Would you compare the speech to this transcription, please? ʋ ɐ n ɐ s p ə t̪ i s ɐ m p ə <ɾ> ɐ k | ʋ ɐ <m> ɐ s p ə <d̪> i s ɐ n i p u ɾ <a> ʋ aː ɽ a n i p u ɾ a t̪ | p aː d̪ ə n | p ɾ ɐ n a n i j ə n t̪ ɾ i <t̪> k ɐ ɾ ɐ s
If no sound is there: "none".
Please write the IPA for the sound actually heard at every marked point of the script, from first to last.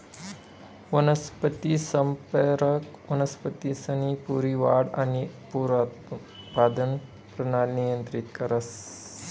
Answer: ɾ, n, t̪, i, t̪

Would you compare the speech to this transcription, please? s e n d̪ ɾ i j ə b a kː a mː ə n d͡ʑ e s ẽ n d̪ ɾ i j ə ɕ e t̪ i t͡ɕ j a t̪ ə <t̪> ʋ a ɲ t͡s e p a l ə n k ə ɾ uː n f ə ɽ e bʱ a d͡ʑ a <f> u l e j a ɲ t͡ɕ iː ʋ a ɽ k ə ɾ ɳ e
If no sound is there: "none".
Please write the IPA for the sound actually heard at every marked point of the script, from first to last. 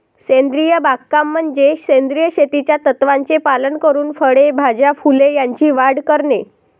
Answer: t̪, f

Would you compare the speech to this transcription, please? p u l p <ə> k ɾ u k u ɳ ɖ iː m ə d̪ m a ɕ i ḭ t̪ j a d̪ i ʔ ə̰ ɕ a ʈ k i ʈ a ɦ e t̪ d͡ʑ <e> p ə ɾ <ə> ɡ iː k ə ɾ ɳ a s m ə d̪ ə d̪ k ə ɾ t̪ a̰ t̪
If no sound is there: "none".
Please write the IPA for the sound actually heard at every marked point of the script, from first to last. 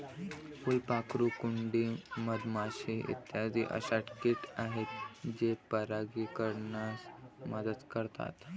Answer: a, e, a

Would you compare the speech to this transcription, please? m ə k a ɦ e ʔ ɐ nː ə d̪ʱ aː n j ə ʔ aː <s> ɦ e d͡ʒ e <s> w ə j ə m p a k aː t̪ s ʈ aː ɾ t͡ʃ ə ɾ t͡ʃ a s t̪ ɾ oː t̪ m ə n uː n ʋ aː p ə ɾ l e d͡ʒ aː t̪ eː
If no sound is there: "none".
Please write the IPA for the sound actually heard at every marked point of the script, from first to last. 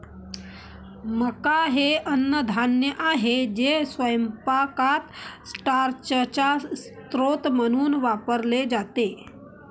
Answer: none, s

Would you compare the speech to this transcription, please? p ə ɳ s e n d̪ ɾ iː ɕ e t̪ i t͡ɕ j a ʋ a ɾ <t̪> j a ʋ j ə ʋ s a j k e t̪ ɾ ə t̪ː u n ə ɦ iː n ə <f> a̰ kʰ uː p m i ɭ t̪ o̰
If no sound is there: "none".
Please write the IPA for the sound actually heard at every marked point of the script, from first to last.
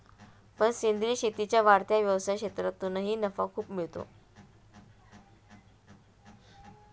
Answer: t̪, f

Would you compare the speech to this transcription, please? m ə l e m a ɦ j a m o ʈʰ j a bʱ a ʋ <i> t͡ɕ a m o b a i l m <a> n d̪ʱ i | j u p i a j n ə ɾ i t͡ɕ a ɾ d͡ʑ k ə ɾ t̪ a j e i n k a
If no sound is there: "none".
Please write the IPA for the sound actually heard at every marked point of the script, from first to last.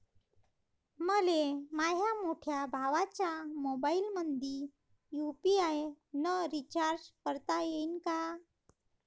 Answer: a, ə

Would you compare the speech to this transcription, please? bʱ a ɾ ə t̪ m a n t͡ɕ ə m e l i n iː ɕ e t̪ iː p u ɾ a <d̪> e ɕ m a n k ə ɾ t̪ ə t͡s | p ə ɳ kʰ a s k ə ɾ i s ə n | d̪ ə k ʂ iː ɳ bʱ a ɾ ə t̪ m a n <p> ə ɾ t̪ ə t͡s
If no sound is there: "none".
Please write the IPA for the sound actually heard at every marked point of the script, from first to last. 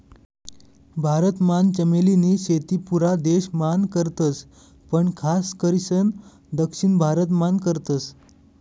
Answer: d̪, k

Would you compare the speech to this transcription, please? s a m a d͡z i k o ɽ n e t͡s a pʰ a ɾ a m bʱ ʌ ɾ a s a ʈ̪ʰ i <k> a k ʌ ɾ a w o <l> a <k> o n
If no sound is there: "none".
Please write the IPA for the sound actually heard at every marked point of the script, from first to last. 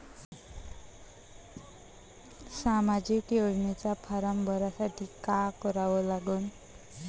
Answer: k, l, ɡ

